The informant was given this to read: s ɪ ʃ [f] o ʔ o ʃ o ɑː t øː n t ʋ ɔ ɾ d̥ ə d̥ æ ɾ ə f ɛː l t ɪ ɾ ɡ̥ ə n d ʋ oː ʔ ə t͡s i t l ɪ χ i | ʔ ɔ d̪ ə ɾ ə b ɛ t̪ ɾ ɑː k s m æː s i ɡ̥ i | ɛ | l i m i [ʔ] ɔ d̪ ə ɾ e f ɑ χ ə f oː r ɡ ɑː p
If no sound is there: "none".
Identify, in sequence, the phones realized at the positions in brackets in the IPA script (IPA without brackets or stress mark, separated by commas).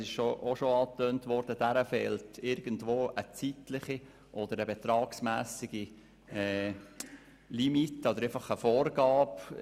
ʃ, t